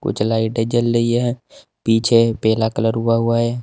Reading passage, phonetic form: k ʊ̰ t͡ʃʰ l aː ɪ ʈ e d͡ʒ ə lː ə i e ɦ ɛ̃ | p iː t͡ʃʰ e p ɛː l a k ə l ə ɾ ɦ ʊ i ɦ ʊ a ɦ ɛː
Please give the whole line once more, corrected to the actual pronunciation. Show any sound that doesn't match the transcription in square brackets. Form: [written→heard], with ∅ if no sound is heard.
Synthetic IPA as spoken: k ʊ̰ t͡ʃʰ l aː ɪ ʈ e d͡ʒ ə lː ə i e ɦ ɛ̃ | p iː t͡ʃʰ e p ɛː l a k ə l ə ɾ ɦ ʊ [i→a] ɦ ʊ a ɦ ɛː